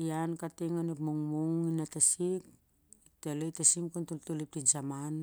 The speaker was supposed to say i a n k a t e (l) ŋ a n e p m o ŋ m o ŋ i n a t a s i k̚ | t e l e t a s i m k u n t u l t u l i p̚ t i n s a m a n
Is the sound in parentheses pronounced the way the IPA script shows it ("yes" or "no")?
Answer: no